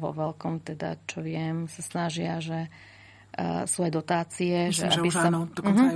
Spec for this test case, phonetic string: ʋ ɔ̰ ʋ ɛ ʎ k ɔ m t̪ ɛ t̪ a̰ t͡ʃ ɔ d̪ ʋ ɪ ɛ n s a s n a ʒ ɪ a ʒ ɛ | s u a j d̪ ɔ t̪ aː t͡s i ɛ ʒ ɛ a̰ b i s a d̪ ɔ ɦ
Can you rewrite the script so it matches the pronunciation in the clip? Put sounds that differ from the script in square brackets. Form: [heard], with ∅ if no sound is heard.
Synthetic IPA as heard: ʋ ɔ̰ ʋ ɛ [l] k ɔ m t̪ ɛ [d̪] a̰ t͡ʃ ɔ [∅] ʋ ɪ ɛ [m] s a s n a ʒ ɪ a ʒ ɛ | s u a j d̪ ɔ t̪ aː t͡s i ɛ ʒ ɛ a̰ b i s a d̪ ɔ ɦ